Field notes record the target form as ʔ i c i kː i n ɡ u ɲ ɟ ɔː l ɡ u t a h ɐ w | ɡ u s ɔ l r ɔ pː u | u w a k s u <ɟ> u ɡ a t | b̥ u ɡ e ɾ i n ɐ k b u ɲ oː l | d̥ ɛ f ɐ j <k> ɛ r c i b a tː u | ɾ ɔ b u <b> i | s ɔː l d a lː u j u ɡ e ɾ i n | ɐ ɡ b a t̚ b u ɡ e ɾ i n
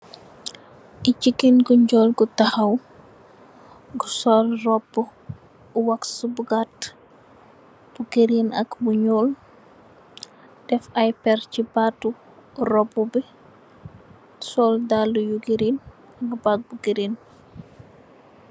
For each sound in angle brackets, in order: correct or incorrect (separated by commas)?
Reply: incorrect, incorrect, correct